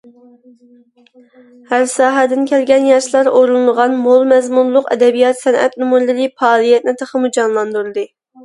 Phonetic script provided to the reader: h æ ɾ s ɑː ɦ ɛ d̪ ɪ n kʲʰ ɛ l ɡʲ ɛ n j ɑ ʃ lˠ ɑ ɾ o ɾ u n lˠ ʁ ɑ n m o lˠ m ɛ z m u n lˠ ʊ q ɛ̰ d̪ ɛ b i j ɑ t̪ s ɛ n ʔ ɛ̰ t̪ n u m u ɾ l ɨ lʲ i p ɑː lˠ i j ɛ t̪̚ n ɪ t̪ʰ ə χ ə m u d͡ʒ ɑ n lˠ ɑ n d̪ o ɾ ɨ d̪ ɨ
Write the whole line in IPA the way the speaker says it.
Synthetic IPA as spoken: h æ ɾ s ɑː ɦ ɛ d̪ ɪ n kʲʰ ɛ l ɡʲ ɛ n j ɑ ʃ lˠ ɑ ɾ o ɾ u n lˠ ʁ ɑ n m o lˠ m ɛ z m u n lˠ ʊ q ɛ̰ d̪ ɛ b i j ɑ t̪ s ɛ n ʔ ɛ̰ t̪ n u m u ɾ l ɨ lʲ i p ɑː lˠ i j ɛ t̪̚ n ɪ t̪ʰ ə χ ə m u d͡ʒ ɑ n lˠ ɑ n d̪ u ɾ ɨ d̪ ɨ